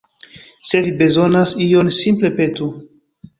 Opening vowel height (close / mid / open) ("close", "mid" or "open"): mid